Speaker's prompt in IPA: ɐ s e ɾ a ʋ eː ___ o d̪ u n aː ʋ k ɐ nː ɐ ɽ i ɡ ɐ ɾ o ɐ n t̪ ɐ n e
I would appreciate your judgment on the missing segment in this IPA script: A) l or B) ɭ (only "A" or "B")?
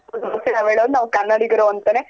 B